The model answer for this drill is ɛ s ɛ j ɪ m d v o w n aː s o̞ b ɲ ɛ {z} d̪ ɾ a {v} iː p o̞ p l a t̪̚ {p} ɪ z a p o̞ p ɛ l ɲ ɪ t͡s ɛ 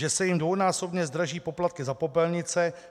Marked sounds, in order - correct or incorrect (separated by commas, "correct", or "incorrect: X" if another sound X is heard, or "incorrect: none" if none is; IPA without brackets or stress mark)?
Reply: correct, incorrect: ʒ, incorrect: k